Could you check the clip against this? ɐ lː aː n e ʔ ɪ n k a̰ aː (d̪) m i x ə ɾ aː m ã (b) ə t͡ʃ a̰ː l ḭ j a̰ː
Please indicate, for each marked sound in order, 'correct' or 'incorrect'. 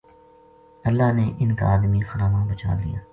correct, correct

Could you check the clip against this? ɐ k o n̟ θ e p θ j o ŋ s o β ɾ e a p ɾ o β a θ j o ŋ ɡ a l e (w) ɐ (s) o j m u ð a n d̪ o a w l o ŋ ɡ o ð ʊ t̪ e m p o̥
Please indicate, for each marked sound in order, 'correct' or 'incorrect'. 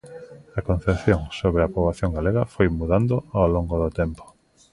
incorrect, incorrect

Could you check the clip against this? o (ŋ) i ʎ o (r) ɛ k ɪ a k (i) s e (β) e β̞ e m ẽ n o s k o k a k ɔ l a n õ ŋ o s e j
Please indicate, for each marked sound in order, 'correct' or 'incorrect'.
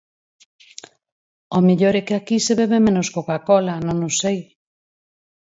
incorrect, incorrect, correct, correct

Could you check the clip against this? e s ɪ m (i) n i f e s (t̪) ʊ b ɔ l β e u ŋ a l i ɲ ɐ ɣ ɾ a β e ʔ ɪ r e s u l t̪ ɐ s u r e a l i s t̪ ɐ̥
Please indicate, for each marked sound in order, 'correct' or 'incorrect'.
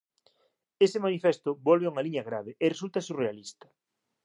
incorrect, correct

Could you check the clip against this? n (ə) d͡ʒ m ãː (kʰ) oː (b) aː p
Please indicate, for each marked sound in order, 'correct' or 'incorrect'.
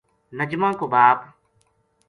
correct, incorrect, correct

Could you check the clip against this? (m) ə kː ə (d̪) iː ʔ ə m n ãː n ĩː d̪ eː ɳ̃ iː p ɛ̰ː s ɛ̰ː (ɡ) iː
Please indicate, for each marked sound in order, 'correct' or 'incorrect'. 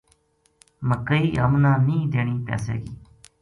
correct, incorrect, correct

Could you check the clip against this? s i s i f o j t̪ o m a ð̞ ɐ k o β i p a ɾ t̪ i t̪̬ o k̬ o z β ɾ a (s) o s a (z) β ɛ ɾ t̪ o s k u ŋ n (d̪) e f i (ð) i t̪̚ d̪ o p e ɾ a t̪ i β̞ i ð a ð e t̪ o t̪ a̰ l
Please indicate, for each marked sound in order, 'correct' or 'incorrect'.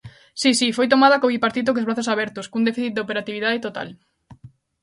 incorrect, incorrect, correct, incorrect

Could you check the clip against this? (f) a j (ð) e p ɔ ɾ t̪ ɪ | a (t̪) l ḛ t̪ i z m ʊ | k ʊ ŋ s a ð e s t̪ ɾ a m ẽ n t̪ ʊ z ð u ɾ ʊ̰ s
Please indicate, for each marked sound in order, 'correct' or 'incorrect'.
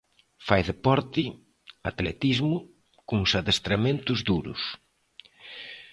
correct, correct, correct

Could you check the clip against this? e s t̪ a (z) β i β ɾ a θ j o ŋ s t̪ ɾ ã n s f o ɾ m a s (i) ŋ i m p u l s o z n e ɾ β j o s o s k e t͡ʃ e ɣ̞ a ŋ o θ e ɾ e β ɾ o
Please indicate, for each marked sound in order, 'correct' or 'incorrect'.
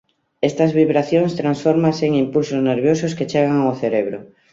correct, incorrect

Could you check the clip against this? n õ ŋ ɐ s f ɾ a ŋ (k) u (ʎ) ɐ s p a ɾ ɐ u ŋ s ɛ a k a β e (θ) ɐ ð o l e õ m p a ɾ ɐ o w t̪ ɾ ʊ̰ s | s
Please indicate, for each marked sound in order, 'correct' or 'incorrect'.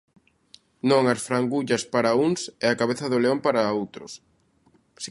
incorrect, correct, correct

